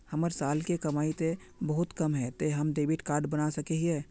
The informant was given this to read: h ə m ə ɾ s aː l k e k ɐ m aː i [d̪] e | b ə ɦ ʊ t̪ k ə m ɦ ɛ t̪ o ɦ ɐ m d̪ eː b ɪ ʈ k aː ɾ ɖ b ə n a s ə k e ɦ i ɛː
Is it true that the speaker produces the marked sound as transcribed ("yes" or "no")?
no